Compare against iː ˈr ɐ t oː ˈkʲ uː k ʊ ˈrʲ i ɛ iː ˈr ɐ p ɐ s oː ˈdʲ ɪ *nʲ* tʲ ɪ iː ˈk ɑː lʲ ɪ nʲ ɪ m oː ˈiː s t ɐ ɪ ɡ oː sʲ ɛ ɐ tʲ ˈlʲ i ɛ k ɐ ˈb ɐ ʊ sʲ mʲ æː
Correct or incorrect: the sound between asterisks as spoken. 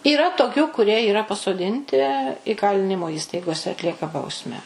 correct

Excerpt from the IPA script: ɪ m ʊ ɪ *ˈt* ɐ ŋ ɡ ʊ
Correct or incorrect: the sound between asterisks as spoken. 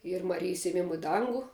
incorrect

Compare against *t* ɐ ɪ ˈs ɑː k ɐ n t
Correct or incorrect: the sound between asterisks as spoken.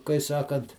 incorrect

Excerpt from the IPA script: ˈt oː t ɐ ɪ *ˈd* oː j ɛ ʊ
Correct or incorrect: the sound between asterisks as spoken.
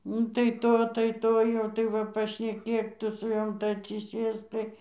incorrect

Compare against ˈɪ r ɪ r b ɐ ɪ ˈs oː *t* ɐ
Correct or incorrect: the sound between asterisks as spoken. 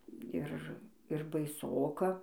incorrect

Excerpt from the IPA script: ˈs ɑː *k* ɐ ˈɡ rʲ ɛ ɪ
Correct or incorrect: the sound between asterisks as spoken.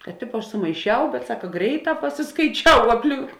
correct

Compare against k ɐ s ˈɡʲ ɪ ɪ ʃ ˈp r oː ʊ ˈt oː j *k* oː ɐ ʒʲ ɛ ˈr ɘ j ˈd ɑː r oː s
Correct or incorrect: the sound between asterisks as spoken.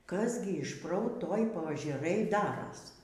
incorrect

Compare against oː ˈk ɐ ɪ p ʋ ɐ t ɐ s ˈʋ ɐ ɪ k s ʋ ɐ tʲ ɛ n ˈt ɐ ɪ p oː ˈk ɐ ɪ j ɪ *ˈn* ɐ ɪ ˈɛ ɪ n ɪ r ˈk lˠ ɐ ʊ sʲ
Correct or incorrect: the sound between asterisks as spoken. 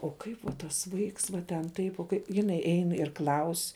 correct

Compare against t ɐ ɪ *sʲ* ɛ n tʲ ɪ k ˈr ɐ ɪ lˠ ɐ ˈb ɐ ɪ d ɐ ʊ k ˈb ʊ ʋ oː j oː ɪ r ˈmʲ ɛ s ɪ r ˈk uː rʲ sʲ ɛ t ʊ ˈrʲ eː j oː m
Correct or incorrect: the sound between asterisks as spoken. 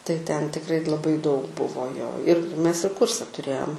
incorrect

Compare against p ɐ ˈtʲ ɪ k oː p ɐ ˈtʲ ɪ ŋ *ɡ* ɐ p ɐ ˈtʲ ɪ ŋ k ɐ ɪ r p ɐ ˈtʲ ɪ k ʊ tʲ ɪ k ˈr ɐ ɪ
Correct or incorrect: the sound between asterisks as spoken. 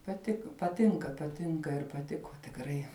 incorrect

